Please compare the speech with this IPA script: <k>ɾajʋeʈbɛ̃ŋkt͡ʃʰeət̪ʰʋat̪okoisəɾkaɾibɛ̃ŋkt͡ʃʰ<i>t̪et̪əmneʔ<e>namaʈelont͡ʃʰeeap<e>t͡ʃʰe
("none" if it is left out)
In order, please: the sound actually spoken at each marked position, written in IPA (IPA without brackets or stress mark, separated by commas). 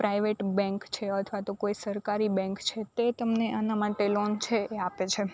p, e, a, e